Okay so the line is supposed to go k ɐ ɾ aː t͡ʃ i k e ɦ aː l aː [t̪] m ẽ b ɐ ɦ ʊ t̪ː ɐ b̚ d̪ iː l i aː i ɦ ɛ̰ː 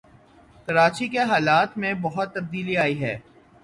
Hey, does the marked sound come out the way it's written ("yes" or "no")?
yes